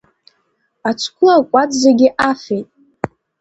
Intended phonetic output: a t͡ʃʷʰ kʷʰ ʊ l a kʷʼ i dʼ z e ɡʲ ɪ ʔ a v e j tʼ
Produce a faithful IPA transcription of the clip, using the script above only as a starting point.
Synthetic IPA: a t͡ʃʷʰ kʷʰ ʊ l a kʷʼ a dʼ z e ɡʲ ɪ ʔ a f e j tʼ